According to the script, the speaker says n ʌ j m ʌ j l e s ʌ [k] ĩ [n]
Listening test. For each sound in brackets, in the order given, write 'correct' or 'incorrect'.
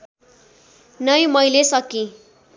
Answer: correct, incorrect: none

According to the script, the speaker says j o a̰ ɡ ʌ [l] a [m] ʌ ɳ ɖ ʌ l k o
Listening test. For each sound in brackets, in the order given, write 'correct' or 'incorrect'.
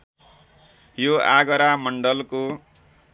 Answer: incorrect: ɾ, correct

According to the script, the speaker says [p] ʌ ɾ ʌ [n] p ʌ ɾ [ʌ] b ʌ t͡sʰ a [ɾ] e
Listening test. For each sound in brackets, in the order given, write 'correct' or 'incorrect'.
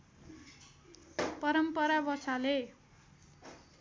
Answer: correct, incorrect: m, incorrect: a, incorrect: l

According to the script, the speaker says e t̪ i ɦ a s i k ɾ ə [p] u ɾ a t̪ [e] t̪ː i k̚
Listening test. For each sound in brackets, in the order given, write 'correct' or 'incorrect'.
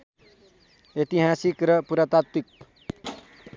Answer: correct, incorrect: a

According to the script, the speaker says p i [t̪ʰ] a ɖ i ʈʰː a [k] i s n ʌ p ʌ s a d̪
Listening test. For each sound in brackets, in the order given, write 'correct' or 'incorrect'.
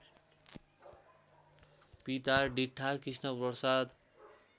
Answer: incorrect: t̪, correct

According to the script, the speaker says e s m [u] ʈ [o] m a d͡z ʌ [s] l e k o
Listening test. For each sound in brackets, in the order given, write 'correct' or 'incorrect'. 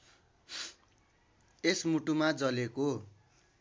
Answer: correct, incorrect: u, incorrect: none

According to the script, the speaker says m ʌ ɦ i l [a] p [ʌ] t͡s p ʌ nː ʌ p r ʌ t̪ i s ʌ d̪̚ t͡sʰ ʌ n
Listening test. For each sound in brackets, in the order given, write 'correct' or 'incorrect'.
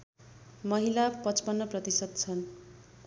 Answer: correct, correct

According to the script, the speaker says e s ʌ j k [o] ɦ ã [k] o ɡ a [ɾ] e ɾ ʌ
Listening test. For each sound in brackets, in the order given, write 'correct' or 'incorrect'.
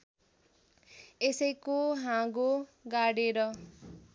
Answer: correct, incorrect: ɡ, incorrect: ɽ

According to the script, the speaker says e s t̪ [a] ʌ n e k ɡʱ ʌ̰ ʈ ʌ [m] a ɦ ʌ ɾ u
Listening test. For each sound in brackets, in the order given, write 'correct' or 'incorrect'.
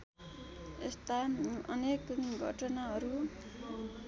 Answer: correct, incorrect: n

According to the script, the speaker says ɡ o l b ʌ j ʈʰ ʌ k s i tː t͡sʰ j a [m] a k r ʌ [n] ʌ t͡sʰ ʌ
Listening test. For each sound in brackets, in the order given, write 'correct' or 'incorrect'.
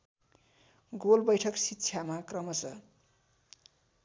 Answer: correct, incorrect: m

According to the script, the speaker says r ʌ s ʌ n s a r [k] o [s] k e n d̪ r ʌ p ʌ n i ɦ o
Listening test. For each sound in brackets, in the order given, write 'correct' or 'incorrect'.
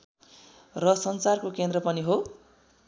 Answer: correct, incorrect: none

